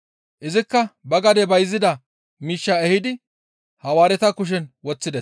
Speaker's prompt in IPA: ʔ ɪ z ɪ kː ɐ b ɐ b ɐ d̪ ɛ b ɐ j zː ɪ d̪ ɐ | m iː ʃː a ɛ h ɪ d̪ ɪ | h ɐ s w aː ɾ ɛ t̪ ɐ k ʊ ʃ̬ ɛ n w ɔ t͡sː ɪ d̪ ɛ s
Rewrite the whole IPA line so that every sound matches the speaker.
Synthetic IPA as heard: ʔ ɪ z ɪ kː ɐ b ɐ ɡ ɐ d̪ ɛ b ɐ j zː ɪ d̪ ɐ | m iː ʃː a ɛ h ɪ d̪ ɪ | h ɐ w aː ɾ ɛ t̪ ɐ k ʊ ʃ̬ ɛ n w ɔ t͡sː ɪ d̪ ɛ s